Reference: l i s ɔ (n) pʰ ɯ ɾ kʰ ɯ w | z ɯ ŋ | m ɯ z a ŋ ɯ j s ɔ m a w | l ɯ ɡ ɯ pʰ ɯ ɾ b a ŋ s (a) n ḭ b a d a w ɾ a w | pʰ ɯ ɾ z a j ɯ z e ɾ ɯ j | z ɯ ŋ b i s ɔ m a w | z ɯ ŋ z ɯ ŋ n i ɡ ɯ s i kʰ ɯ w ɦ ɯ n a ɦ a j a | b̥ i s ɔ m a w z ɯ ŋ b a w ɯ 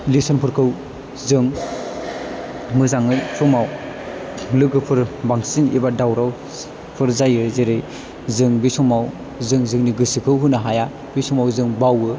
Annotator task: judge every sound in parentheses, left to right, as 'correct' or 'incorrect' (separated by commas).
correct, incorrect